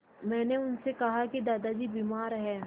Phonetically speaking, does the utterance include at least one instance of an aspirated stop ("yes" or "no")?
no